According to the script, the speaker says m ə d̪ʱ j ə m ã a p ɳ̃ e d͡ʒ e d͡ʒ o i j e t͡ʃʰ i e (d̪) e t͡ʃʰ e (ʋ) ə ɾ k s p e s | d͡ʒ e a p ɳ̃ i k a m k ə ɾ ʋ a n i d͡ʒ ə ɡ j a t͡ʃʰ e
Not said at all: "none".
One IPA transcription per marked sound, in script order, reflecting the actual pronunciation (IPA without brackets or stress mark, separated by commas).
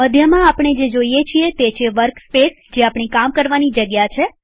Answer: t̪, ʋ